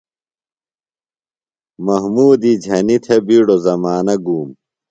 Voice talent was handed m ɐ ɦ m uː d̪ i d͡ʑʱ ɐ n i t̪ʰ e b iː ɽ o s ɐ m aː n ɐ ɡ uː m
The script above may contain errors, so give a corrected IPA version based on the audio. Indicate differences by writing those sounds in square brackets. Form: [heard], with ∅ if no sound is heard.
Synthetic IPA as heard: m ɐ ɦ m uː d̪ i d͡ʑʱ ɐ n i t̪ʰ e b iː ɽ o [z] ɐ m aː n ɐ ɡ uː m